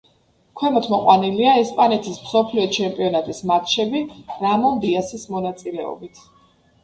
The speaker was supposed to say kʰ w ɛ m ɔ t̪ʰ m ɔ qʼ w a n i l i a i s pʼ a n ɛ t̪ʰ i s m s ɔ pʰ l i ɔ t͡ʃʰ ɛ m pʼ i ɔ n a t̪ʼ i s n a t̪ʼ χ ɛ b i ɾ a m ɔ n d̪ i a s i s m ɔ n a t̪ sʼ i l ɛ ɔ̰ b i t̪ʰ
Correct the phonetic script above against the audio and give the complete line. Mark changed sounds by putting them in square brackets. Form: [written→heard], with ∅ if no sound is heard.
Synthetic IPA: kʰ w ɛ m ɔ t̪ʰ m ɔ qʼ w a n i l i a [i→ɛ] s pʼ a n ɛ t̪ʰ i s m s ɔ pʰ l i ɔ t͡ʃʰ ɛ m pʼ i ɔ n a t̪ʼ i s [n→m] a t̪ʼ [χ→ʃ] ɛ b i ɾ a m ɔ n d̪ i a s i s m ɔ n a t̪ sʼ i l ɛ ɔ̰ b i t̪ʰ